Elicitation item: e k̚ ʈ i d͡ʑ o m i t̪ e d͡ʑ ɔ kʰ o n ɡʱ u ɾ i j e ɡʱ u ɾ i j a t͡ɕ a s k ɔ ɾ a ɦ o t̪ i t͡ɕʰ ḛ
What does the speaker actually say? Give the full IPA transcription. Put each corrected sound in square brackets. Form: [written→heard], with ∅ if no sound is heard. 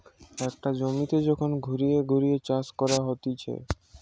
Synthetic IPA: [e→ɛ] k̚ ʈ [i→a] d͡ʑ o m i t̪ e d͡ʑ ɔ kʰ o n ɡʱ u ɾ i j e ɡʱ u ɾ i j [a→e] t͡ɕ a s k ɔ ɾ a ɦ o t̪ i t͡ɕʰ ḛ